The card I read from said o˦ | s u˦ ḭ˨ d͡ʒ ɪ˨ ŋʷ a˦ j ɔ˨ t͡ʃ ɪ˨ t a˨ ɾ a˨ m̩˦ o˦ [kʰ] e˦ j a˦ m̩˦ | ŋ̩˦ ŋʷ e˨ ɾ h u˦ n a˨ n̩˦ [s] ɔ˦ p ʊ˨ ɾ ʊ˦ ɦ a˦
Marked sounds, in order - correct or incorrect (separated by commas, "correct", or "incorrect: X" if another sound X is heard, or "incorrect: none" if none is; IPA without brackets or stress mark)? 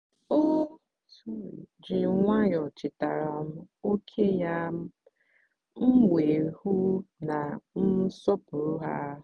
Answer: correct, correct